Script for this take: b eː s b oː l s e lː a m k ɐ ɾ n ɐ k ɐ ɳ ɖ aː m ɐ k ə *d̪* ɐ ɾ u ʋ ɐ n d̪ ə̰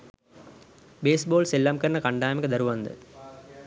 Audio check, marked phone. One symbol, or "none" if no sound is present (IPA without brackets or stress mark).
d̪